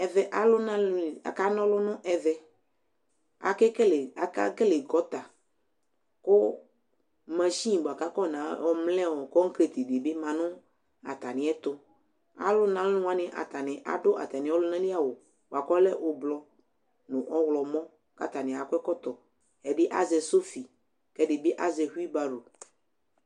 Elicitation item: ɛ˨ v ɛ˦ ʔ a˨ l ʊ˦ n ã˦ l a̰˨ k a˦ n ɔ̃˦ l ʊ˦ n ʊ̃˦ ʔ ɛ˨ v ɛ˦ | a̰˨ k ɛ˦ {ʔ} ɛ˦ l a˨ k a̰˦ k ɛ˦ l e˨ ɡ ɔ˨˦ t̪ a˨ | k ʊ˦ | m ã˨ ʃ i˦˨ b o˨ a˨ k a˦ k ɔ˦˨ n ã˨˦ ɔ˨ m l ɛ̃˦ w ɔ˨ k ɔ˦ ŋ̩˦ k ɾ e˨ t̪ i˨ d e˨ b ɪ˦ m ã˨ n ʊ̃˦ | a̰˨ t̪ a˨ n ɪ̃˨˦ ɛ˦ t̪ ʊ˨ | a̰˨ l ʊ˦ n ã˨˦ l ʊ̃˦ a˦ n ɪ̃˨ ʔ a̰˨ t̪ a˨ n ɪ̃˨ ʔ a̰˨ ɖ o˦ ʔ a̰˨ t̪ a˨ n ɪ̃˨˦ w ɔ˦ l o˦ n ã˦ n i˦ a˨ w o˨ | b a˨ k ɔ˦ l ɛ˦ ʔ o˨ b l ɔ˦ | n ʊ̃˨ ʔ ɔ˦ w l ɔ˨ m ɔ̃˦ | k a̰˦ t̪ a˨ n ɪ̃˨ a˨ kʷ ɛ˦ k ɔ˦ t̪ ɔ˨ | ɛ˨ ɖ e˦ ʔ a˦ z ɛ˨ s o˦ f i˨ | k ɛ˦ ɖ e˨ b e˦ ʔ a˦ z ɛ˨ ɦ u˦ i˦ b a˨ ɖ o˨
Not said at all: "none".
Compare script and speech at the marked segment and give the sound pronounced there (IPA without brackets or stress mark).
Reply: k